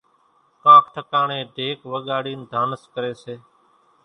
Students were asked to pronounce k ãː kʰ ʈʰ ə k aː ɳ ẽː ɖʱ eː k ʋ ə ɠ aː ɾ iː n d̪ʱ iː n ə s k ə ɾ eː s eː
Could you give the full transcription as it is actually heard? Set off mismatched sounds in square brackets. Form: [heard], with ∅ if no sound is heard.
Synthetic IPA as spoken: k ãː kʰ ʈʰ ə k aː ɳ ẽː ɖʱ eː k ʋ ə ɠ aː [ɽ] iː n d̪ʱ [aː] n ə s k ə ɾ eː s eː